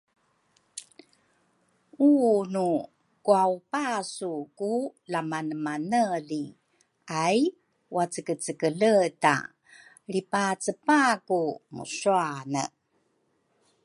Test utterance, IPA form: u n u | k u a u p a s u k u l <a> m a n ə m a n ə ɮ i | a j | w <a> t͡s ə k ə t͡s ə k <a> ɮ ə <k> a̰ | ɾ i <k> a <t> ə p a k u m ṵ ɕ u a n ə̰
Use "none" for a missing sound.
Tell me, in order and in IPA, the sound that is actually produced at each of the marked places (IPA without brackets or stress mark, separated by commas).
a, a, ə, t, p, t͡s